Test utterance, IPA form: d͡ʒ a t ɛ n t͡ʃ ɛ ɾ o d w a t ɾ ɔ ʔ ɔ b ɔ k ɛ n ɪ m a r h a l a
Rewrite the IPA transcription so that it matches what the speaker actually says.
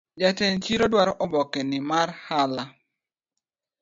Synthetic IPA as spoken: d͡ʒ a t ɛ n t͡ʃ i ɾ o d w a ɾ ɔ ʔ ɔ b ɔ k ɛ n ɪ m a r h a l a